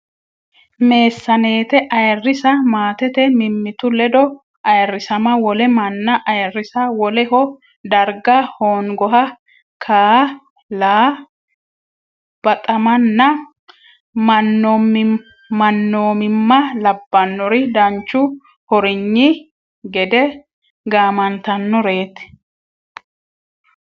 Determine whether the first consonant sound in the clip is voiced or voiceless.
voiced